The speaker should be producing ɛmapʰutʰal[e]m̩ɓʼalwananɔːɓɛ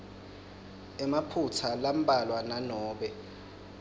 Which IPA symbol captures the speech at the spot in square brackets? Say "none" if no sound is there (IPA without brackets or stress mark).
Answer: a